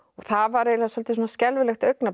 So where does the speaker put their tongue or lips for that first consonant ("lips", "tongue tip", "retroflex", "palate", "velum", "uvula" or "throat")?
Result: velum